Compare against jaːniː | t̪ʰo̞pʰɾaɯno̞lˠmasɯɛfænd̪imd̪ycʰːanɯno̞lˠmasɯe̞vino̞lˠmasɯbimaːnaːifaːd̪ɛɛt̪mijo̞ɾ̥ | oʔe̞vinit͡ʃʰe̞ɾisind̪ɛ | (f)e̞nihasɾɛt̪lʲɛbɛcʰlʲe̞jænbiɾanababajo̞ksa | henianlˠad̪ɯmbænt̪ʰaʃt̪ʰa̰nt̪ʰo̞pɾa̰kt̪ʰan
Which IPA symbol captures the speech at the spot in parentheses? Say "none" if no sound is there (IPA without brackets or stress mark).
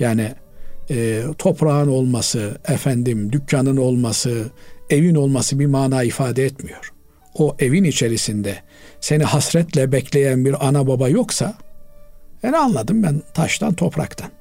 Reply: s